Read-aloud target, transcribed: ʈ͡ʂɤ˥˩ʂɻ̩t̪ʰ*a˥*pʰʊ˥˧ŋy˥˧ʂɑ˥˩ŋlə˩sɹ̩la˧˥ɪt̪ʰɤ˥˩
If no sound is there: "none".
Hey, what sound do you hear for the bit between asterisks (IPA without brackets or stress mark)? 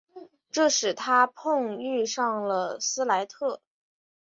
a˥